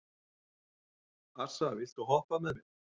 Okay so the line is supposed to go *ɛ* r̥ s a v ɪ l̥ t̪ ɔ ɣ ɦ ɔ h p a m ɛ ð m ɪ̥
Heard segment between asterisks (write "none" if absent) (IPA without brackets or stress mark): a